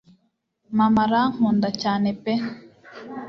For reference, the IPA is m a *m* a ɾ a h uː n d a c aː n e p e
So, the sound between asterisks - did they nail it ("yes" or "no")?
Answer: yes